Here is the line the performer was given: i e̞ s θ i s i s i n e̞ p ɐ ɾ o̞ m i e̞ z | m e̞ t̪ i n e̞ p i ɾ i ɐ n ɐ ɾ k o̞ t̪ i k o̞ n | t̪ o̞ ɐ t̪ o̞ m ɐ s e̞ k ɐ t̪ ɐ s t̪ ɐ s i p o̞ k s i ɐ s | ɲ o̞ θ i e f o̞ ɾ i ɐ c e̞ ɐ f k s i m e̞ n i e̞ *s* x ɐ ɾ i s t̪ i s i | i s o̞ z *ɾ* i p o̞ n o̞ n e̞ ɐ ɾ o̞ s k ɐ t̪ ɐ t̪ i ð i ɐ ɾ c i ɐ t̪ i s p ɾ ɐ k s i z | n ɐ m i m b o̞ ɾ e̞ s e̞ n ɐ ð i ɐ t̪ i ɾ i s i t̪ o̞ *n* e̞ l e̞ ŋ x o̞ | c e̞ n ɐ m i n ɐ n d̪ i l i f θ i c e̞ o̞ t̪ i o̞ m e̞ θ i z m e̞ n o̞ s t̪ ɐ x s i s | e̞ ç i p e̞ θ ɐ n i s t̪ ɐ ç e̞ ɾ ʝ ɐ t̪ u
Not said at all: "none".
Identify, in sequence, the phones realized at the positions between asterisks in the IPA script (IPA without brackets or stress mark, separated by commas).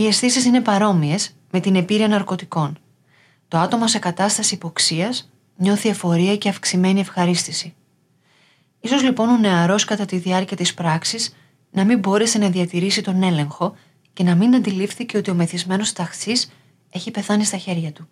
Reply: f, l, n